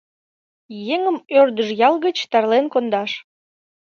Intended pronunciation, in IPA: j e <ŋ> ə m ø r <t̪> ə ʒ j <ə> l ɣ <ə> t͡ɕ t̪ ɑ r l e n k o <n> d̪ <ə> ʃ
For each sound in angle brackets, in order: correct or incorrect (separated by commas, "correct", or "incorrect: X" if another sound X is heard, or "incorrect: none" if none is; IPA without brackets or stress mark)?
correct, incorrect: d̪, incorrect: ɑ, correct, correct, incorrect: ɑ